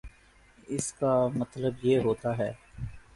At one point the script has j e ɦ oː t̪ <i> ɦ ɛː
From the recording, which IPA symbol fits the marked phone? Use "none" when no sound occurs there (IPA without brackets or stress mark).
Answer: a